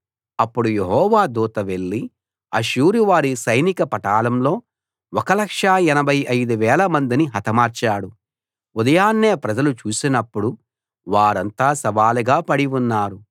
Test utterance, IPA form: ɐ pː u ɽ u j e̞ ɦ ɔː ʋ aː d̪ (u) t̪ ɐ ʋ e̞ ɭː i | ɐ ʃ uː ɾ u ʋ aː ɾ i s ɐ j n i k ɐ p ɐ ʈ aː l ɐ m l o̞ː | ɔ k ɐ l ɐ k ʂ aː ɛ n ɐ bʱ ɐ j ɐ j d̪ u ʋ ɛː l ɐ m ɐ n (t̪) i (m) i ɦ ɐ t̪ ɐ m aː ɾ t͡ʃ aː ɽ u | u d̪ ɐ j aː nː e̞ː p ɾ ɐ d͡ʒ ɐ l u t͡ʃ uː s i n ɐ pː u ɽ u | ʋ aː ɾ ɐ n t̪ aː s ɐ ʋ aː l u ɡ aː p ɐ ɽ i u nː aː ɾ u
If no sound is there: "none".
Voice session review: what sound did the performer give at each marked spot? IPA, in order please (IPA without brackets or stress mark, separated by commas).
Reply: uː, d̪, n